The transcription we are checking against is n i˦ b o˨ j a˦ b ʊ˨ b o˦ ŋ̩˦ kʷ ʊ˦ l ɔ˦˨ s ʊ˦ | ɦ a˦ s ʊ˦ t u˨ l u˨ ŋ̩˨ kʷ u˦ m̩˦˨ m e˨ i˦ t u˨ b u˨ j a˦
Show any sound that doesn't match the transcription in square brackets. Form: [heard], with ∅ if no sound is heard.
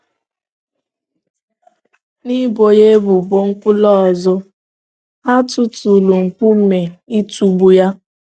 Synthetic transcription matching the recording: n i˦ b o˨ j [e˦] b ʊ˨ b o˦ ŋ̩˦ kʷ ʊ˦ l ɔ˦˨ [z] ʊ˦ | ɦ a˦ [t] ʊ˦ t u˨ l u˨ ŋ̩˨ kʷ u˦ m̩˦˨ m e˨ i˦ t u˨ b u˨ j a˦